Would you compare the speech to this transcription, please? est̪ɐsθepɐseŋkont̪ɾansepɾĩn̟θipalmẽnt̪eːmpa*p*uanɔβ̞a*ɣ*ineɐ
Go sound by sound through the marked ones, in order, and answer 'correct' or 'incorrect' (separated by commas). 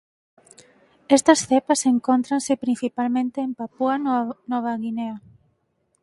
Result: correct, correct